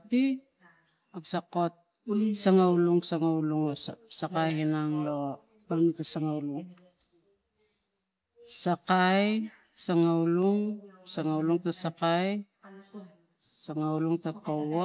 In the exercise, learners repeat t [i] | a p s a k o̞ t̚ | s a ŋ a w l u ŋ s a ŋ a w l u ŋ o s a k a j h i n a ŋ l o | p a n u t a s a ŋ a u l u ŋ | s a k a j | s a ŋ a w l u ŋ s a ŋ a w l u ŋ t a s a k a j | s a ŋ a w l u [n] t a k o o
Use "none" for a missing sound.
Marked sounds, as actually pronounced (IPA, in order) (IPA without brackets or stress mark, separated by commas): i, ŋ